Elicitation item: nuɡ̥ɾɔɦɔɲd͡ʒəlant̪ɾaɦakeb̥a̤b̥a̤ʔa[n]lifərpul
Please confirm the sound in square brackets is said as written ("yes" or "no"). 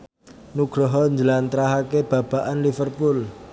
yes